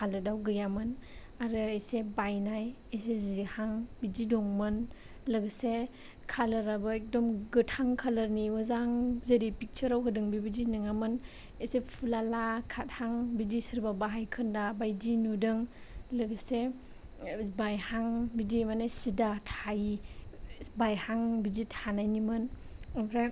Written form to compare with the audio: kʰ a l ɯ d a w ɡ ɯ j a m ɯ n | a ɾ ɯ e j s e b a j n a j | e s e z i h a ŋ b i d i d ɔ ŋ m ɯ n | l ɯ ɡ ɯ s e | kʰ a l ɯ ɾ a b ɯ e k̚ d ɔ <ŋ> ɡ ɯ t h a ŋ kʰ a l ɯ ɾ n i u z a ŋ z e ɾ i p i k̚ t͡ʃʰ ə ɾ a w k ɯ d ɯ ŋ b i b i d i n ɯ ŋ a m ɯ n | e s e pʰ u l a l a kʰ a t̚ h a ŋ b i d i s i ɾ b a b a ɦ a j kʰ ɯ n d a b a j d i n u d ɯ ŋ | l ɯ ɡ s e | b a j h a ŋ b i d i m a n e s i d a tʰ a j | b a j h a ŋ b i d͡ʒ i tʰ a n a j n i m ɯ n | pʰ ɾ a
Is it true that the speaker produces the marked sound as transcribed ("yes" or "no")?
no